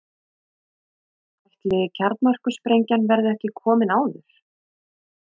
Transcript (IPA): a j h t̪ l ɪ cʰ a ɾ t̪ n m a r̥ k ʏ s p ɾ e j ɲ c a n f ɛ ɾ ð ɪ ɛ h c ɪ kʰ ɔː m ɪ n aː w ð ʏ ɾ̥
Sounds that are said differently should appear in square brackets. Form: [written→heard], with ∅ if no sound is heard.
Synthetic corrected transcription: a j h t̪ l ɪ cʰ a ɾ t̪ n m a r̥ k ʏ s p ɾ e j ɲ c a n [f→v] ɛ ɾ ð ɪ ɛ h c ɪ kʰ ɔː m ɪ n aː w ð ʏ ɾ̥

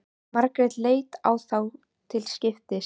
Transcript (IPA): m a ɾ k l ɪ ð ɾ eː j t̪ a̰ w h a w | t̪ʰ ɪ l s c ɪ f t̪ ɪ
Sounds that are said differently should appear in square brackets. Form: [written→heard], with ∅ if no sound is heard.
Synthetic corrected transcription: m a ɾ k [l→ɾ] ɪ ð [ɾ→l] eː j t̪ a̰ w [h→θ] a w | t̪ʰ ɪ l s c ɪ f t̪ ɪ

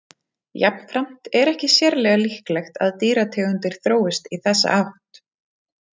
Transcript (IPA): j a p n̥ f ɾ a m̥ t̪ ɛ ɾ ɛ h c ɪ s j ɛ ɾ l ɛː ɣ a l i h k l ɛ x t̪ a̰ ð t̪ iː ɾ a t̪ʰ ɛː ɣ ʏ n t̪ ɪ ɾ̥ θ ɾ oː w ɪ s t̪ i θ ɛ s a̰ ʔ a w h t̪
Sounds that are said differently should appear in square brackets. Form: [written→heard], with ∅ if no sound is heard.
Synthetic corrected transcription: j a p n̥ f ɾ a m̥ t̪ ɛ ɾ ɛ h c ɪ s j ɛ ɾ l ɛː ɣ a l i h k l ɛ x t̪ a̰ ð t̪ iː ɾ a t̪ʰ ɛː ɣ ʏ n t̪ ɪ ɾ̥ θ ɾ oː w ɪ s t̪ i θ ɛ [s→sː] a̰ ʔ a w h t̪

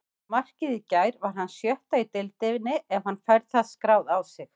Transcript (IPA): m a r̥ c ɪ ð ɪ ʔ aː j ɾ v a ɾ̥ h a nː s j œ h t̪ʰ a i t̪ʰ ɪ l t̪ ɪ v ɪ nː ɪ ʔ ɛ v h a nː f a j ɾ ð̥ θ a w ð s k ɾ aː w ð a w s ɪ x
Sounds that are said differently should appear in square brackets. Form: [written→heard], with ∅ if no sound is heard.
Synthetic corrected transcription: m a r̥ c ɪ ð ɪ [ʔ→c] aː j ɾ v a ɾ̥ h a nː s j œ h [t̪ʰ→t̪] a i [t̪ʰ→t̪] ɪ l t̪ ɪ v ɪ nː ɪ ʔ ɛ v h a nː f a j ɾ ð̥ θ a [w→∅] ð s k ɾ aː w ð a w s ɪ x

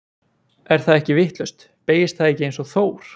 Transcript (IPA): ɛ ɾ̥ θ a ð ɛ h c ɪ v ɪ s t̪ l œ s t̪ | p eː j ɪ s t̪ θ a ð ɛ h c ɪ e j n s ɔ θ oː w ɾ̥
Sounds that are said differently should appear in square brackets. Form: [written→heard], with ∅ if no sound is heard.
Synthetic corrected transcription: ɛ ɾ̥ θ a ð ɛ h c ɪ v ɪ [s→h] t̪ l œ s t̪ | p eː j ɪ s t̪ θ a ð ɛ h c ɪ e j n s ɔ θ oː w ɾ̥

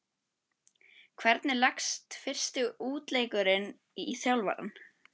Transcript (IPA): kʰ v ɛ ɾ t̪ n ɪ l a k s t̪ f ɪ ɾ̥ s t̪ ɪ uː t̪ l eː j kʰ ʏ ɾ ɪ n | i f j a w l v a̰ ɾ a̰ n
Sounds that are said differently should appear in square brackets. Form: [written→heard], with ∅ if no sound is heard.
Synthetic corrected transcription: kʰ v ɛ ɾ t̪ n ɪ l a k s t̪ f ɪ [ɾ̥→r̥] s t̪ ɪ uː t̪ l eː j [kʰ→k] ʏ ɾ ɪ n | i [f→θ] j a w l v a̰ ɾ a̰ n

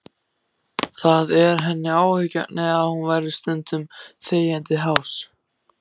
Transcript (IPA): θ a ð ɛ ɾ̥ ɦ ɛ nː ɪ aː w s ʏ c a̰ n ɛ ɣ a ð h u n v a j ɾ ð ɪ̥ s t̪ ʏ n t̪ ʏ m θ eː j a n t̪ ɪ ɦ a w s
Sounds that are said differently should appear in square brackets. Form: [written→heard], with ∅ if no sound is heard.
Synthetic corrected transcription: θ a ð ɛ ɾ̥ ɦ ɛ nː ɪ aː w [s→h] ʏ c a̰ n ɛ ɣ a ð h u n v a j ɾ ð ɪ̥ s t̪ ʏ n t̪ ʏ m θ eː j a n t̪ ɪ ɦ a w s

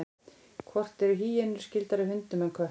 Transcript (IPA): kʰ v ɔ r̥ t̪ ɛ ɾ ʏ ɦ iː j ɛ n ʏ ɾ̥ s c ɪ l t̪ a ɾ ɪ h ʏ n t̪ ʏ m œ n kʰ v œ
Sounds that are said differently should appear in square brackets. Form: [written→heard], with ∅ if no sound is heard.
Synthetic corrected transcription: kʰ v ɔ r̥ t̪ ɛ ɾ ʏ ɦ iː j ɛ n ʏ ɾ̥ s c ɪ l t̪ a ɾ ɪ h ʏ n t̪ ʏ m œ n kʰ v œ

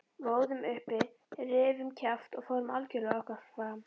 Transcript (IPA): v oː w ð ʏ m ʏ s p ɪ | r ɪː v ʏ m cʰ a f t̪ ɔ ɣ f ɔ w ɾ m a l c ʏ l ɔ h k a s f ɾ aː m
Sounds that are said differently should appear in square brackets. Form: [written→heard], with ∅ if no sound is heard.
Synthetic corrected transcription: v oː w ð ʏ m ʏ [s→h] p ɪ | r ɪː v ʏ m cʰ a f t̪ ɔ ɣ f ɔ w ɾ m a l c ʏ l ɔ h k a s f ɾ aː m

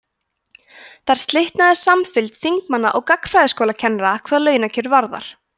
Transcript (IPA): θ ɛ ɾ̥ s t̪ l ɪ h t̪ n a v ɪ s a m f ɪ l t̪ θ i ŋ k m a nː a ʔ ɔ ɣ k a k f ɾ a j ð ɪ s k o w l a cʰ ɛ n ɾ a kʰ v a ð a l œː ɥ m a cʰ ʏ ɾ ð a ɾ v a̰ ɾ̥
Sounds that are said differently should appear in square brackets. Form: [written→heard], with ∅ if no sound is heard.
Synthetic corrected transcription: θ [ɛ→a] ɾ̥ s t̪ l ɪ h t̪ n a [v→ð] ɪ s a m f ɪ l t̪ θ i ŋ k m a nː a ʔ ɔ ɣ k a k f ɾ a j ð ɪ s k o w l a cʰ ɛ n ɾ a kʰ v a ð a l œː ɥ [m→n] a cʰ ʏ ɾ [ð→v] a ɾ [v→ð] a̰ ɾ̥

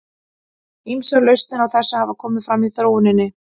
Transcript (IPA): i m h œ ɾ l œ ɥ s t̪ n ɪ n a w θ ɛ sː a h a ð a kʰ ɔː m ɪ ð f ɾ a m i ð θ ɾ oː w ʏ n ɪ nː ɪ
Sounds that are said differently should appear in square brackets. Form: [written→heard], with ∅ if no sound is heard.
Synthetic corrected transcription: i m [h→s] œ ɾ l œ ɥ s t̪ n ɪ n a w θ ɛ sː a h a [ð→v] a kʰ ɔː m ɪ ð f ɾ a m i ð θ ɾ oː w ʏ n ɪ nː ɪ

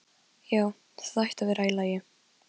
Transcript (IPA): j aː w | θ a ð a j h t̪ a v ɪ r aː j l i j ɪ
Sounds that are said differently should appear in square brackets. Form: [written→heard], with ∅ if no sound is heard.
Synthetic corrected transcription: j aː w | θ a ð a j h t̪ a v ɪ [r→ɾ] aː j l [i→a] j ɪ

